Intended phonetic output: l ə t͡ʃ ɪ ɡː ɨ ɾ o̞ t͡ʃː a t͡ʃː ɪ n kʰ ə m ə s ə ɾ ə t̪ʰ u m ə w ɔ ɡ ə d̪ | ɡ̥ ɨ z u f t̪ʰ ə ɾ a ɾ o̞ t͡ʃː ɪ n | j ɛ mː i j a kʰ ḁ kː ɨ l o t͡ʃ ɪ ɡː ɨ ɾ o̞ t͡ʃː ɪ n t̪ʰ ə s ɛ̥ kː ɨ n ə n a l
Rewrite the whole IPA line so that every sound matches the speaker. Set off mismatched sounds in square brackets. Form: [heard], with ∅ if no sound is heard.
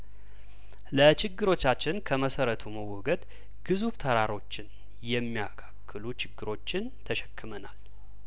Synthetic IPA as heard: l ə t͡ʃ ɪ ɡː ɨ ɾ o̞ t͡ʃː a t͡ʃː ɪ n kʰ ə m ə s ə ɾ ə t̪ʰ u m ə w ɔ ɡ ə d̪ | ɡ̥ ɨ z u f t̪ʰ ə ɾ a ɾ o̞ t͡ʃː ɪ n | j ɛ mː i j a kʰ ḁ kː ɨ l [u] t͡ʃ ɪ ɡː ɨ ɾ o̞ t͡ʃː ɪ n t̪ʰ ə [ʃ] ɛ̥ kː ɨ [m] ə n a l